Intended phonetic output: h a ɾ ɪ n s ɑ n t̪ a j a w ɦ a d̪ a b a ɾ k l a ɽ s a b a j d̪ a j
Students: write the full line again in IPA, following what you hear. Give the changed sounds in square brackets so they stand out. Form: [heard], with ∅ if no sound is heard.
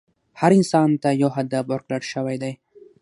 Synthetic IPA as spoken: h a ɾ ɪ n s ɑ n t̪ a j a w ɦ a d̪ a b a ɾ k l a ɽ [ʃ] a [w] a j d̪ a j